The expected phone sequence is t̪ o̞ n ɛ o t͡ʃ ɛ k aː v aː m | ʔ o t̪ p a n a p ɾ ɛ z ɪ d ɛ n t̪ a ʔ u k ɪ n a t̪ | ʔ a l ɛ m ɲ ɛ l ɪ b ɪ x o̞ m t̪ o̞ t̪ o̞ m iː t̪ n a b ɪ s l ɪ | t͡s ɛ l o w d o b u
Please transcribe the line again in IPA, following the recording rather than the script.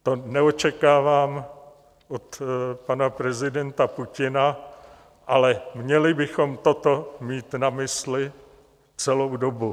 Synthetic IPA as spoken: t̪ o̞ n ɛ o t͡ʃ ɛ k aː v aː m | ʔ o t̪ p a n a p ɾ ɛ z ɪ d ɛ n t̪ a p u c ɪ n a | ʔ a l ɛ m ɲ ɛ l ɪ b ɪ x o̞ m t̪ o̞ t̪ o̞ m iː t̪ n a m ɪ s l ɪ | t͡s ɛ l o w d o b u